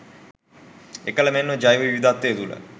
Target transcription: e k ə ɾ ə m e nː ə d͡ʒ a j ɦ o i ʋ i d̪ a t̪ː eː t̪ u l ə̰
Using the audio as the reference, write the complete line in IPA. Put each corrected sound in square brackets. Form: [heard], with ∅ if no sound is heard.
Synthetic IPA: e k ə [l] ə m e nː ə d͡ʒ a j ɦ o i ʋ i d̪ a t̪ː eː t̪ u l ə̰